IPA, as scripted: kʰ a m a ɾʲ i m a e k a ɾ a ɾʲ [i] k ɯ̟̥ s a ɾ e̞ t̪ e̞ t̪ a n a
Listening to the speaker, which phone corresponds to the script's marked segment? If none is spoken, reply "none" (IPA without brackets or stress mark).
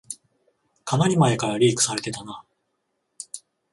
iː